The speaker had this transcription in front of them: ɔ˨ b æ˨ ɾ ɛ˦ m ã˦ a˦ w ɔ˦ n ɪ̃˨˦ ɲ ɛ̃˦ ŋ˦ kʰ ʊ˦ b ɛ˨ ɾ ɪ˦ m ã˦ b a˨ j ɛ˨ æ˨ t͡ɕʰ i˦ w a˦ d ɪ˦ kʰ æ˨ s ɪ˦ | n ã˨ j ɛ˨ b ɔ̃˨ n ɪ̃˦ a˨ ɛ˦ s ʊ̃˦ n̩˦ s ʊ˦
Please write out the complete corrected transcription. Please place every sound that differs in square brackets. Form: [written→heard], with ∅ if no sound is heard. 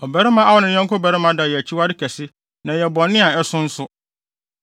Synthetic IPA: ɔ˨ b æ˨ ɾ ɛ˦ m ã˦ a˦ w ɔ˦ n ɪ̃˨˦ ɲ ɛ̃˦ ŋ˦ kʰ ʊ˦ b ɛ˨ ɾ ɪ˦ m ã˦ [b→d] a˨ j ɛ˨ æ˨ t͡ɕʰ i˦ w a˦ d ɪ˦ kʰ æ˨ s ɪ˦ | n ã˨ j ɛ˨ b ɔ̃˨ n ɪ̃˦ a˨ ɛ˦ s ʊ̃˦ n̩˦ s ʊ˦